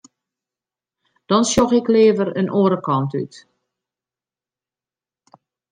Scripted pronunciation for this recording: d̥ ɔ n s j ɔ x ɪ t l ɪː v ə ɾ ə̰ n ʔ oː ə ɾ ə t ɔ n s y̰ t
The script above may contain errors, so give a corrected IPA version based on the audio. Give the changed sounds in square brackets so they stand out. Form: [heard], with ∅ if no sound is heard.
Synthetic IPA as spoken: d̥ ɔ n s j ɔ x ɪ [k] l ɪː v ə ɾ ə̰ n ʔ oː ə ɾ ə [k] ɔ n [t] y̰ t